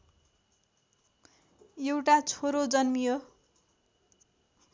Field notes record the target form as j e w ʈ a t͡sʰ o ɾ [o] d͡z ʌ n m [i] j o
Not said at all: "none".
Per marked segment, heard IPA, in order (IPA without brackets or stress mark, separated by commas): o, i